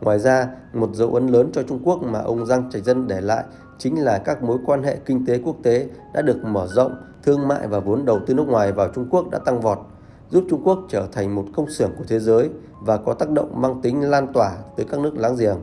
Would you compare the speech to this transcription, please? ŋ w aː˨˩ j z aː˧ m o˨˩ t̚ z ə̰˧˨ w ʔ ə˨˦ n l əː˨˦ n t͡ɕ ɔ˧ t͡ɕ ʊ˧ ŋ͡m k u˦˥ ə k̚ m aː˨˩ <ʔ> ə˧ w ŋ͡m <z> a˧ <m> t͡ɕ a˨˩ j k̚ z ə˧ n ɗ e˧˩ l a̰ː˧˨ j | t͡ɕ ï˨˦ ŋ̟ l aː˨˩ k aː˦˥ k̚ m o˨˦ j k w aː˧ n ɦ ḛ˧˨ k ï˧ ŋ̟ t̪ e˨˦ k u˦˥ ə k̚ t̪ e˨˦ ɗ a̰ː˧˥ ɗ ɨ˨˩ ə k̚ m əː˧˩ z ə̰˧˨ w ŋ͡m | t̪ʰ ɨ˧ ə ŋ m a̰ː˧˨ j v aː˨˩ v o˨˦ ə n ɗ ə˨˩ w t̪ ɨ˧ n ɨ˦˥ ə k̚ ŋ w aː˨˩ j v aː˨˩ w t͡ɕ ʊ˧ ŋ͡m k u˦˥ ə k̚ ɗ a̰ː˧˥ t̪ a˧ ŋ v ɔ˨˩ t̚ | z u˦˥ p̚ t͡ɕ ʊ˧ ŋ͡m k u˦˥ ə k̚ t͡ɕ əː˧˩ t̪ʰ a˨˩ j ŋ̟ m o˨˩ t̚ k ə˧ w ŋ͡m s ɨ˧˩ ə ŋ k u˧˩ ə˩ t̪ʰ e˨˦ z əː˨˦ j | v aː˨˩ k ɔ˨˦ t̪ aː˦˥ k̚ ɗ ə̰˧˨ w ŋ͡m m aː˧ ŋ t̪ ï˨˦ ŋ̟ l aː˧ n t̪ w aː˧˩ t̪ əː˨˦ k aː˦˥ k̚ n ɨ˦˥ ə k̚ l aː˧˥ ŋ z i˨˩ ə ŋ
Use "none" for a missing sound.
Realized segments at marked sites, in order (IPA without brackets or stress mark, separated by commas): ʔ, z, ŋ